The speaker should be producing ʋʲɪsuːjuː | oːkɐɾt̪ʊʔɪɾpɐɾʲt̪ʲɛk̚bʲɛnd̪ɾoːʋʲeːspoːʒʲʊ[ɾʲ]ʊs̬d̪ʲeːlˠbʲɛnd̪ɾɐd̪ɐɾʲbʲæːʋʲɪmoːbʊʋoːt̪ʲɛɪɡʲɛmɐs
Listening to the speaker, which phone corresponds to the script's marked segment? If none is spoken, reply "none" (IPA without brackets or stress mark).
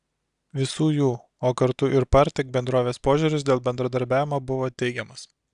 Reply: ɾʲ